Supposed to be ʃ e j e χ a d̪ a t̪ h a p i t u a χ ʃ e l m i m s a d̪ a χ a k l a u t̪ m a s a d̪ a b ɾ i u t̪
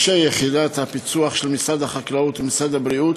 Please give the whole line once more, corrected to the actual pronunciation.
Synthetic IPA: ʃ e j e χ i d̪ a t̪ h a p i t͡s u a χ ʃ e l m i s a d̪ a χ a k l a u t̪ m i s a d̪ a b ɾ i u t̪